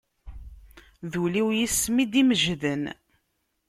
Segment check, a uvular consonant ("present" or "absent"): absent